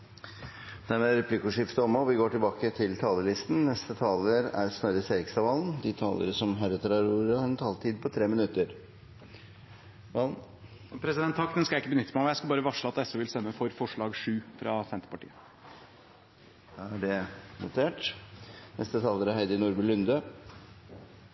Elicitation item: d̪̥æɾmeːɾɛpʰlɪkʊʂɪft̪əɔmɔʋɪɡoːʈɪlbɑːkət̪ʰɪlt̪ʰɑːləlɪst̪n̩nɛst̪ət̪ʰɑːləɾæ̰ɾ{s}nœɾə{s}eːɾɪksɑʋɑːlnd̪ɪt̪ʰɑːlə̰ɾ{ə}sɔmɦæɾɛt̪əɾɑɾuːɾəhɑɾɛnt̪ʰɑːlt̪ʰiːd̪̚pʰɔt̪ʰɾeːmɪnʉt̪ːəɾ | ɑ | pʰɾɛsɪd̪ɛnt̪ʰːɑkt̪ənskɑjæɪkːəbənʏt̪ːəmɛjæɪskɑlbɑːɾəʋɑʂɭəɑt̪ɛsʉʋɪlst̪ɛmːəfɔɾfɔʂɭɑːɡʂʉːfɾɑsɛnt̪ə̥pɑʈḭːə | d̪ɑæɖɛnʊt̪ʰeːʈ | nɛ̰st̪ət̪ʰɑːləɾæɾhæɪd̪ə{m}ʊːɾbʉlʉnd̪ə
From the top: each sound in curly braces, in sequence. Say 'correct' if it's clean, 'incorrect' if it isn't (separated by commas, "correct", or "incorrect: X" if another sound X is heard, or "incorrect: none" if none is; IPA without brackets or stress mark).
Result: correct, correct, correct, incorrect: n